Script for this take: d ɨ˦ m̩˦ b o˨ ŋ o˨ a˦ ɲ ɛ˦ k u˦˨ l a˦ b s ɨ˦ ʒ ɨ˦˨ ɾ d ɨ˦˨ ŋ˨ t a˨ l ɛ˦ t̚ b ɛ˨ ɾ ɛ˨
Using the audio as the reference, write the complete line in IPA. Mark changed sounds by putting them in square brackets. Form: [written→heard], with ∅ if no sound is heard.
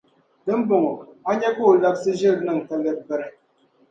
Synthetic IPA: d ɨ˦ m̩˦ b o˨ ŋ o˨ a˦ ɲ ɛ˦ k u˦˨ l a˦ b s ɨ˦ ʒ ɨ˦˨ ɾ [d→n] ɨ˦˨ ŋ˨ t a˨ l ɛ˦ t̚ b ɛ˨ ɾ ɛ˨